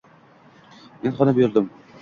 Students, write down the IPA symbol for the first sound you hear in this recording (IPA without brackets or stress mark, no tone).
m